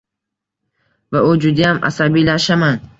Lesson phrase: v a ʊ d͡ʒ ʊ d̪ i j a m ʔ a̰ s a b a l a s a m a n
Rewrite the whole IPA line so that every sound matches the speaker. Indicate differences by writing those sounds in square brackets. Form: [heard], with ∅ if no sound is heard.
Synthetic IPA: v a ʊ d͡ʒ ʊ d̪ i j a m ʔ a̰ s a b [i] l a [ʃ] a m a n